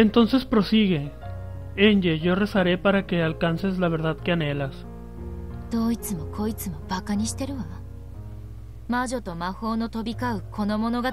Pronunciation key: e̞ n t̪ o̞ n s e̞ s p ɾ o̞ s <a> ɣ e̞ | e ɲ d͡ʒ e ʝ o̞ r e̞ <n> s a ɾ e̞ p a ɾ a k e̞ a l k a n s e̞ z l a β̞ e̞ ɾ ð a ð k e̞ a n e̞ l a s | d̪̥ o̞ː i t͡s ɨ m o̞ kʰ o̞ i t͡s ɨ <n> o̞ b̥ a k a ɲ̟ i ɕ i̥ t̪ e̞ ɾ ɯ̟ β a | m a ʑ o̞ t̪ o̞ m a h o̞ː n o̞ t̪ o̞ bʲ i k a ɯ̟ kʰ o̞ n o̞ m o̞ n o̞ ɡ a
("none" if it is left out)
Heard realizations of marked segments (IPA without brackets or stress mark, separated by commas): i, none, m